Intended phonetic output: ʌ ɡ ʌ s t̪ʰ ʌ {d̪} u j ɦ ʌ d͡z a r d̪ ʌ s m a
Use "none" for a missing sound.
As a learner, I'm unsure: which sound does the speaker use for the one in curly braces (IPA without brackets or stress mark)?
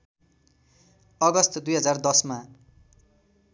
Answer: d̪